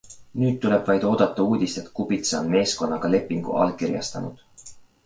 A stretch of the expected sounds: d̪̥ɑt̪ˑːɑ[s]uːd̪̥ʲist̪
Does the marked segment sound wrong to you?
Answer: yes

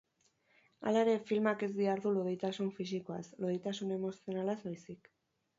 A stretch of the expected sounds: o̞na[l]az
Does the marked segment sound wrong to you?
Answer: no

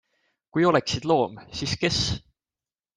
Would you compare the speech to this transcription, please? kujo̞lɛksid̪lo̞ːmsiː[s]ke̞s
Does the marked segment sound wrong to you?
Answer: no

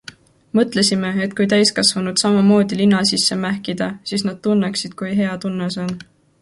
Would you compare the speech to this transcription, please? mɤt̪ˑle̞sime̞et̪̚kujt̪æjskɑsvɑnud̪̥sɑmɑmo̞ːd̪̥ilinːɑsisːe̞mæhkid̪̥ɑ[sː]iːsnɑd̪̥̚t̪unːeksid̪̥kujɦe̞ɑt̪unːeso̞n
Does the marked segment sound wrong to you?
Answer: yes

